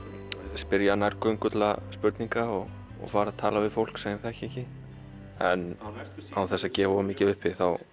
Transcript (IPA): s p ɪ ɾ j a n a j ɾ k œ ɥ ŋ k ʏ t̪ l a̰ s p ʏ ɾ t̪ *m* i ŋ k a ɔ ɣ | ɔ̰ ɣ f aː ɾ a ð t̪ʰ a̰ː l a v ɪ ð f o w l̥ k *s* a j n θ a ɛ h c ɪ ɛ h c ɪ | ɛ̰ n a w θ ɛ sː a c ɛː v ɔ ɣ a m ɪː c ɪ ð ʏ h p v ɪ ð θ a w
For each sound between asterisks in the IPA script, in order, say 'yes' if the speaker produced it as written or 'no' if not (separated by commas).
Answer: no, yes